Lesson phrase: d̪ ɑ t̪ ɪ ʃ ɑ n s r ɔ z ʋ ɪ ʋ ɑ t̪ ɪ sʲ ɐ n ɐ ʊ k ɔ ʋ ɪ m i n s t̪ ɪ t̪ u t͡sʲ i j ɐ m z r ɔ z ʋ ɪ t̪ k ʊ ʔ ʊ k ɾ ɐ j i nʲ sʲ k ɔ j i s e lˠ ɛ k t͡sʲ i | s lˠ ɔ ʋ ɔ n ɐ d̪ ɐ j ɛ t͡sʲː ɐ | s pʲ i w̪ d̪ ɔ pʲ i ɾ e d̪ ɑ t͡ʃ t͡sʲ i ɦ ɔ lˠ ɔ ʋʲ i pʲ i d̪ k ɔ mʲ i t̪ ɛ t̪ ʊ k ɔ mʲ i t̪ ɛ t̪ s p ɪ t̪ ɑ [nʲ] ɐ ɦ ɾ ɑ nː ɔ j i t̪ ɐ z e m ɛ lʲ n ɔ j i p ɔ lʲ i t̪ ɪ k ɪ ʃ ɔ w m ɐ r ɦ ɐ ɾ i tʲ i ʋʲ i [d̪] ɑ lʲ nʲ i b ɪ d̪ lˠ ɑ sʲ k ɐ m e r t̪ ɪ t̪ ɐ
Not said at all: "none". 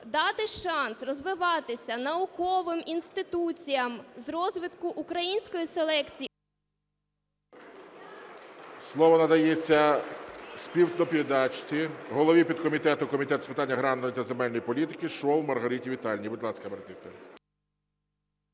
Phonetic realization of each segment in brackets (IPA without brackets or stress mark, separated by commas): nʲː, t̪